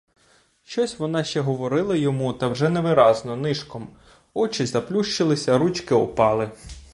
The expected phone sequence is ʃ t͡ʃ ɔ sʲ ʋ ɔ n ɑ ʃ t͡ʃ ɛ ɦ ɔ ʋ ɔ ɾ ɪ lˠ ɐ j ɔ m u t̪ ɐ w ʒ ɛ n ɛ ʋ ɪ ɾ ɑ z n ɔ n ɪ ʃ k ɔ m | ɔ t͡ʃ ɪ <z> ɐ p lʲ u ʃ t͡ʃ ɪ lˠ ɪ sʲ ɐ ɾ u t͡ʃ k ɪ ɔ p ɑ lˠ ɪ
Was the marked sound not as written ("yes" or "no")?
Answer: no